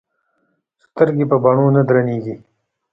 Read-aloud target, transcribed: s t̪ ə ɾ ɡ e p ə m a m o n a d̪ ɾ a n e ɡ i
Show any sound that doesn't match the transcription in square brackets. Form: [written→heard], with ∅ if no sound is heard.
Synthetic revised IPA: s t̪ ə ɾ ɡ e p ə [m→b] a [m→ɳ] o n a d̪ ɾ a n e ɡ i